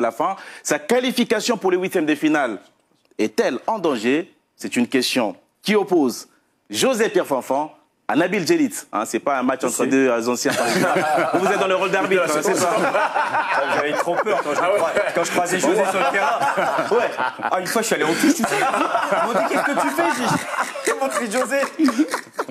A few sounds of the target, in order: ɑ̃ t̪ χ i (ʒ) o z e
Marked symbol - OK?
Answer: yes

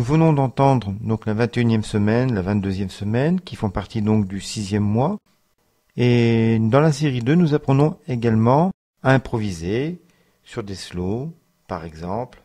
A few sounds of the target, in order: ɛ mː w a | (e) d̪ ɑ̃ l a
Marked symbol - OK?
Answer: yes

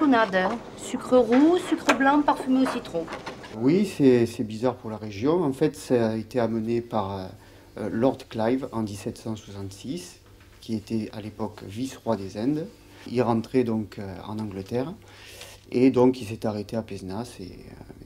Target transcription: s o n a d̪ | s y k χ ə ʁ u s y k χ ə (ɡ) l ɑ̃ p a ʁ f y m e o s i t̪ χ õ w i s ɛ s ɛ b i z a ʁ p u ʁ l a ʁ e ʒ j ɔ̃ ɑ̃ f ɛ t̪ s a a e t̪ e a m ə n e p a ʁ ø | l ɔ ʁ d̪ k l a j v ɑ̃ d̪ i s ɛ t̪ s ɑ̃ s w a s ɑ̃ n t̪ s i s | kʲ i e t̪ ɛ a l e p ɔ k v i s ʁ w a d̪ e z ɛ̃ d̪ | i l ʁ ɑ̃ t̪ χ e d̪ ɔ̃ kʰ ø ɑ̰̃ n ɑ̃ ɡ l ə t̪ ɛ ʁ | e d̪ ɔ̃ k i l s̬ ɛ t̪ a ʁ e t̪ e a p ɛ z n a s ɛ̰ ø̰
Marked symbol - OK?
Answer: no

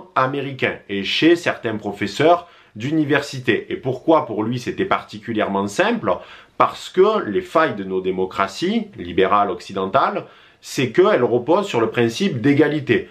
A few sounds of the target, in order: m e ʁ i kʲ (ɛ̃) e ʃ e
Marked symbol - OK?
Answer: yes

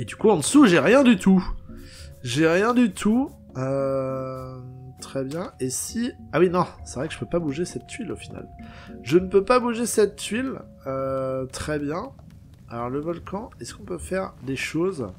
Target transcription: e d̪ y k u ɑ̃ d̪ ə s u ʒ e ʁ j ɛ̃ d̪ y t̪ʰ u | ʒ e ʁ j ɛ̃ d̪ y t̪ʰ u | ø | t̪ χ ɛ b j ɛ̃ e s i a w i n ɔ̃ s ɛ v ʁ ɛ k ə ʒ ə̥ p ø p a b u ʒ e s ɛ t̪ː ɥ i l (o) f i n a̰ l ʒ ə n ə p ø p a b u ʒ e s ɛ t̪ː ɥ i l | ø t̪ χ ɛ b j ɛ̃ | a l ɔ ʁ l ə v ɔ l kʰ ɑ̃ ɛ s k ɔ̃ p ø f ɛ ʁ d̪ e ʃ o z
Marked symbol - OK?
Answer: yes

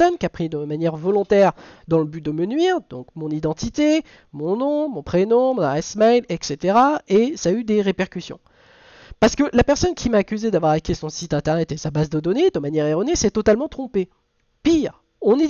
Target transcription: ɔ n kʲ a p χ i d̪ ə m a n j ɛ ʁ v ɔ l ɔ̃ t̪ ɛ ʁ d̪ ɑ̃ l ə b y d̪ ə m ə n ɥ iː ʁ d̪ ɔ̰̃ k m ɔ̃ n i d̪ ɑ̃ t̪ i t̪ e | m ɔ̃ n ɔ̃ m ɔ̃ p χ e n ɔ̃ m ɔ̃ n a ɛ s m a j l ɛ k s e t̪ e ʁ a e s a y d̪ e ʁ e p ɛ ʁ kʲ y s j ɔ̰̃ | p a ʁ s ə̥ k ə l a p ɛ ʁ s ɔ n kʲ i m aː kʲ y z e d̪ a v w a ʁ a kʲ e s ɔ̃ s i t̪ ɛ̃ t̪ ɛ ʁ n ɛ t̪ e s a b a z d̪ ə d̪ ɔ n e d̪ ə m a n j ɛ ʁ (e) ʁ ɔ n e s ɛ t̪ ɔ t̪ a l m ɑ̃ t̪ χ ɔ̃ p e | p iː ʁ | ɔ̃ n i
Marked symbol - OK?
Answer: yes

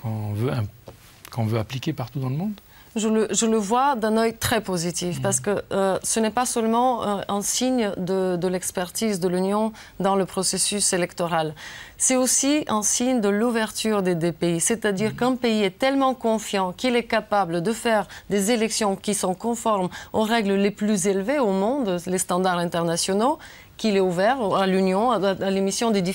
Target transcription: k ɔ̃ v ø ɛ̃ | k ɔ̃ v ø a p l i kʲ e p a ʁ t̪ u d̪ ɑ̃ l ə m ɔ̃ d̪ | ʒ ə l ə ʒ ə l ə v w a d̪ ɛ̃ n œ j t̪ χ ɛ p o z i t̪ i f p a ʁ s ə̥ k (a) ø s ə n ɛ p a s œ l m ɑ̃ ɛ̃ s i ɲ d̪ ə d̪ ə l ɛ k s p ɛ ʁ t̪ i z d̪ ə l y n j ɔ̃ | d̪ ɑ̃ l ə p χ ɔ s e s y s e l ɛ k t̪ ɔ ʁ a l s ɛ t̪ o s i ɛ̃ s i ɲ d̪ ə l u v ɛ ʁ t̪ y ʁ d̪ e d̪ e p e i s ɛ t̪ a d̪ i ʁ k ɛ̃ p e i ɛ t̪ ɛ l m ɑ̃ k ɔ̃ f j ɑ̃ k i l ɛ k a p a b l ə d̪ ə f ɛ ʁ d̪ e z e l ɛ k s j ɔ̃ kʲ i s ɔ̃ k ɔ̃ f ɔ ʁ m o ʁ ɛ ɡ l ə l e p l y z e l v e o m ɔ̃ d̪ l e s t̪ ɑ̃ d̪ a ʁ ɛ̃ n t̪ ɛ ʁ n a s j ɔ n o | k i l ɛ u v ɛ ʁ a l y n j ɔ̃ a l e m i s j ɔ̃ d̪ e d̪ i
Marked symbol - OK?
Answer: no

